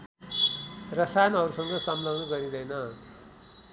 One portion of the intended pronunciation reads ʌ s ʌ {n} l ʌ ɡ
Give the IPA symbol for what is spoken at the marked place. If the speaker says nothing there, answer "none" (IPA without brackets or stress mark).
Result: m